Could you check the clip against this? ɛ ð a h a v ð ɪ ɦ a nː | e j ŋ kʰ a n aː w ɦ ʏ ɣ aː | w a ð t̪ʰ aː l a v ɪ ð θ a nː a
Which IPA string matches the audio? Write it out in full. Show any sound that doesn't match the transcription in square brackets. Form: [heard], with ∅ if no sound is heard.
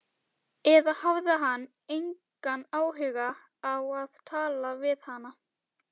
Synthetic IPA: ɛ ð a h a v ð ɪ ɦ a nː | e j ŋ [k] a n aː w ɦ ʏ ɣ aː | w a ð t̪ʰ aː l a v ɪ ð [h] a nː a

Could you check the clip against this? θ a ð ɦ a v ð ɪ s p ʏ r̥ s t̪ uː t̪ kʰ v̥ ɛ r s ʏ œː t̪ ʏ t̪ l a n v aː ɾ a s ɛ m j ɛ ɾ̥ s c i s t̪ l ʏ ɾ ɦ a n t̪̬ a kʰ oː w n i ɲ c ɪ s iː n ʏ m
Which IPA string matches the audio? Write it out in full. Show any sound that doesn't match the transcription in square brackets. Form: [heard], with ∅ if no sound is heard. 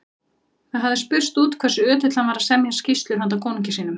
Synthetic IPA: θ a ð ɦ a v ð ɪ s p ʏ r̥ s t̪ uː t̪ kʰ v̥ ɛ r s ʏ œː t̪ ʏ t̪ l a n v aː ɾ a s ɛ m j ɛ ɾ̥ s c i s t̪ l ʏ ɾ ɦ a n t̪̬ a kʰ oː w n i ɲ c ɪ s iː n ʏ m

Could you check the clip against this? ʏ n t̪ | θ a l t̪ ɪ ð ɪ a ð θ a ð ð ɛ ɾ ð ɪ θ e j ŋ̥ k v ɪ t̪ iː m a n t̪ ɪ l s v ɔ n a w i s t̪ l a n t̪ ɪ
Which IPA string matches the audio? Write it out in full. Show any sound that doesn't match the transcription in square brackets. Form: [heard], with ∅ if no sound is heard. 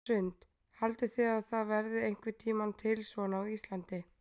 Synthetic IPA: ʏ n t̪ | [h] a l t̪ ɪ [θ] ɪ a ð θ a ð [v] ɛ ɾ ð ɪ [∅] e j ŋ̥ k v ɪ [t̪ʰ] iː m a n [t̪ʰ] ɪ l s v ɔ n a w i s t̪ l a n t̪ ɪ

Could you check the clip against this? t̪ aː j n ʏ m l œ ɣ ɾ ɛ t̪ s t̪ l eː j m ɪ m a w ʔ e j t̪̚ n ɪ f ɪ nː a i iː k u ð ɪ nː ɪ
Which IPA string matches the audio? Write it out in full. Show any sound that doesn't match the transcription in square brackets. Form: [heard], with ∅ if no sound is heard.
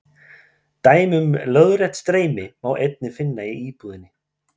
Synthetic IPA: t̪ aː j [m] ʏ m l œ [ð] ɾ ɛ t̪ s t̪ [ɾ] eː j m ɪ m a w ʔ e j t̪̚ n ɪ f ɪ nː a i iː [p] u ð ɪ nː ɪ

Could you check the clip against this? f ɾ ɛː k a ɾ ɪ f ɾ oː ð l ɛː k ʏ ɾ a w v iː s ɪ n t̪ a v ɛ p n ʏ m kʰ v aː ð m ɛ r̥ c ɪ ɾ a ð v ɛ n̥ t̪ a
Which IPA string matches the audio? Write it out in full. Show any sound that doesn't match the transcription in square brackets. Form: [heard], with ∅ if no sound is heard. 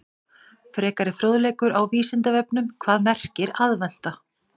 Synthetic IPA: f ɾ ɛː k a ɾ ɪ f ɾ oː ð l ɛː k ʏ ɾ a w v iː s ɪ n t̪ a v ɛ p n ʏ m kʰ v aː ð m ɛ r̥ c ɪ ɾ a ð v ɛ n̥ t̪ a

